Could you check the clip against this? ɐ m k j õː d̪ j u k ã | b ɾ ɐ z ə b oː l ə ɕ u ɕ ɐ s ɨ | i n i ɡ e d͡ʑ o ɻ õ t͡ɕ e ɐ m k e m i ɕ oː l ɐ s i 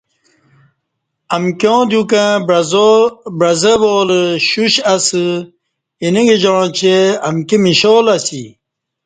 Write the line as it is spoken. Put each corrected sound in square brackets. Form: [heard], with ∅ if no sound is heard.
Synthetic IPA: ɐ m k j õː d̪ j u k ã | b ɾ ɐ z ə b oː l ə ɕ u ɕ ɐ s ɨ | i n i ɡ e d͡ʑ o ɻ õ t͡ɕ e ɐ m k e m i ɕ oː l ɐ s i